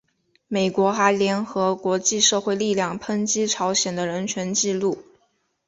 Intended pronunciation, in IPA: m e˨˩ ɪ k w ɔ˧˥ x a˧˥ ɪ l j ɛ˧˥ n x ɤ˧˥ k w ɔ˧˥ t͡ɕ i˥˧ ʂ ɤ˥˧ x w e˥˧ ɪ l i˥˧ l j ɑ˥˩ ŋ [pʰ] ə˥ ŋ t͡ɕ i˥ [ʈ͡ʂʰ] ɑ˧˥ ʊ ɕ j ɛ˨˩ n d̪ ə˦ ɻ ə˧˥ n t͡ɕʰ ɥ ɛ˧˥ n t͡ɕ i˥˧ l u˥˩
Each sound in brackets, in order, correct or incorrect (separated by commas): correct, correct